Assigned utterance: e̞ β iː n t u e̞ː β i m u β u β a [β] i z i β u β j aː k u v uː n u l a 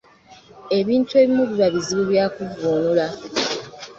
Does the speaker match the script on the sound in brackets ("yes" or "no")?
yes